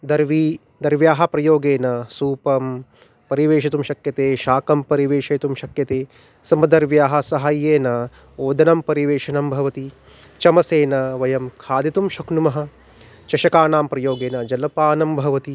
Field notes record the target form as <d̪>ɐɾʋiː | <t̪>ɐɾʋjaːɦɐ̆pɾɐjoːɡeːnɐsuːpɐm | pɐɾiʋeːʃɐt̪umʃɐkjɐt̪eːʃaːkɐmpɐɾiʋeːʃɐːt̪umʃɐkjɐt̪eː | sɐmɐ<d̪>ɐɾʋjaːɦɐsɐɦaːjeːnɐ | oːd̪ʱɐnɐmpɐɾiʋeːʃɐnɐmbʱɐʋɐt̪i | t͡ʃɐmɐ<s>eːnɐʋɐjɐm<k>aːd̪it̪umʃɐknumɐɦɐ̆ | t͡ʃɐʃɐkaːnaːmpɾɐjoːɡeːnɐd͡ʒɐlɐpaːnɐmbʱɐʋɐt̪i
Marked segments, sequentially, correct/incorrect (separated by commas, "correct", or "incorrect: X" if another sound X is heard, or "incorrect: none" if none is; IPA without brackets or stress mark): correct, incorrect: d̪, correct, correct, incorrect: kʰ